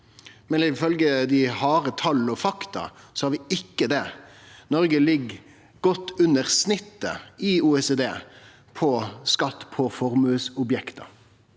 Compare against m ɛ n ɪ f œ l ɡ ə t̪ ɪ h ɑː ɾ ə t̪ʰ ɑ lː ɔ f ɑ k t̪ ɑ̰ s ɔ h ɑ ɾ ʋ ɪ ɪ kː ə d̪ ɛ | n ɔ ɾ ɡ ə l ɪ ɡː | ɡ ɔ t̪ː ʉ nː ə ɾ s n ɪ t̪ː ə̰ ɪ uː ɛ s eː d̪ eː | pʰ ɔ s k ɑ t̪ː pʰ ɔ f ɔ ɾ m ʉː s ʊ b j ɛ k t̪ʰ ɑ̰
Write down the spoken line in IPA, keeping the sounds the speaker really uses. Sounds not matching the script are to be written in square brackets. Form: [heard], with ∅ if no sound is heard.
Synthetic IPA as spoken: m ɛ n ɪ f œ l ɡ ə [d̪] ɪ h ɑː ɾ ə t̪ʰ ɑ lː ɔ f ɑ k t̪ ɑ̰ s ɔ h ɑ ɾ ʋ ɪ ɪ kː ə d̪ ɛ | n ɔ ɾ ɡ ə l ɪ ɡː | ɡ ɔ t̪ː ʉ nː ə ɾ s n ɪ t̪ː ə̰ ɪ uː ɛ s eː d̪ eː | pʰ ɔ s k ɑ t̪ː pʰ ɔ f ɔ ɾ m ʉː s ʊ b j ɛ k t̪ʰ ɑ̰